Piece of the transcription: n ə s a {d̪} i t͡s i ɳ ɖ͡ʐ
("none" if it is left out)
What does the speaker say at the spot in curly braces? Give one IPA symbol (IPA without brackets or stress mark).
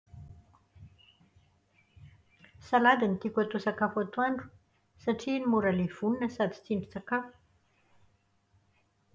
d̪